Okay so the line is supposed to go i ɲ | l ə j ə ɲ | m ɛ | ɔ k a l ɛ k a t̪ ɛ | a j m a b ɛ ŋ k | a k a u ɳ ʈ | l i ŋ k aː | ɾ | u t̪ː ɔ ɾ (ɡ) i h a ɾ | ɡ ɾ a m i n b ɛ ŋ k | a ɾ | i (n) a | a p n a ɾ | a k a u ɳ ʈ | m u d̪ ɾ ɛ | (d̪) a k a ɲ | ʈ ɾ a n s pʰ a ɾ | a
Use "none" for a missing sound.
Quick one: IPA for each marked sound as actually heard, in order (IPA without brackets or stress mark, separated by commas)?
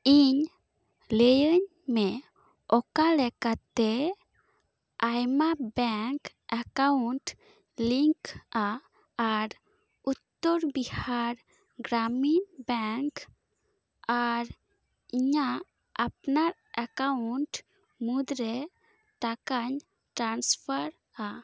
b, ɲ, t̪